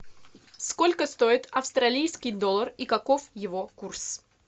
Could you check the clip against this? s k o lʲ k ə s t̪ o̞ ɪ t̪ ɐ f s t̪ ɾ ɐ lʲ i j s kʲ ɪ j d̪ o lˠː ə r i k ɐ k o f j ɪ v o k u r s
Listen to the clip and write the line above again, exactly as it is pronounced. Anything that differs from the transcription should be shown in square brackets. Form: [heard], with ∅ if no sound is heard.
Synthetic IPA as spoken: s k o lʲ k ə s t̪ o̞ ɪ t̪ ɐ f s t̪ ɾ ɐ lʲ i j s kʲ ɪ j d̪ o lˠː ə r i k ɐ k o f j ɪ v o k u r s